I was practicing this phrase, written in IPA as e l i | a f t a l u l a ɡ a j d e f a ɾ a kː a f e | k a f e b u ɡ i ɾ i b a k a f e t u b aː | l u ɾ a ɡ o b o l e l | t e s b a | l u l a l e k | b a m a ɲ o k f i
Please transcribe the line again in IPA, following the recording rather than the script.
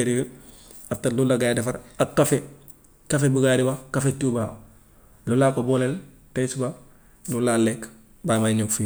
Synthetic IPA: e ɾ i | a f t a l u l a ɡ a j d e f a ɾ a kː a f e | k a f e b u ɡ a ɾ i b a k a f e t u b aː | l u l a k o b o l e l | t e s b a | l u l a l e k | b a m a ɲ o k f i